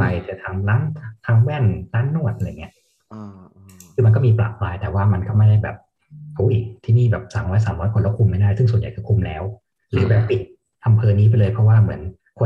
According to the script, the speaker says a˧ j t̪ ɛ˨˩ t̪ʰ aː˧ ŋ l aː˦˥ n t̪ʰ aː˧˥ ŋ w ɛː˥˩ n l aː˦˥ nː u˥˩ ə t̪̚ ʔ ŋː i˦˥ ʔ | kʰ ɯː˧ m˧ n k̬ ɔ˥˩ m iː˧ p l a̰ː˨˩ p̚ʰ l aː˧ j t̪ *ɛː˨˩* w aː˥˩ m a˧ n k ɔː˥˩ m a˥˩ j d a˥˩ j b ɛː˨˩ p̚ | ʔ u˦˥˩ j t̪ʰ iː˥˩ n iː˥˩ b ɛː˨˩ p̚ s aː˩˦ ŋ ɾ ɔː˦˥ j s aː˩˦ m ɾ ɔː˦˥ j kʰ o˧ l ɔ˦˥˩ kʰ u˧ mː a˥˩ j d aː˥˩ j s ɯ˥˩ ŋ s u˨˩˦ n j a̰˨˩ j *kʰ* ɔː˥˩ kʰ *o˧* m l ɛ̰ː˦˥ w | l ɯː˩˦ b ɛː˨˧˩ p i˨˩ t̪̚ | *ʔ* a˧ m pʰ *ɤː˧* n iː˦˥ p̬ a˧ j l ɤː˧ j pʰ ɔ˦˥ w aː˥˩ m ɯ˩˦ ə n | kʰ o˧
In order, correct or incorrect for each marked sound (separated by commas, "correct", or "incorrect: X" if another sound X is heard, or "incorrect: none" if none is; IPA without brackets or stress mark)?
correct, incorrect: k, incorrect: u˧, correct, correct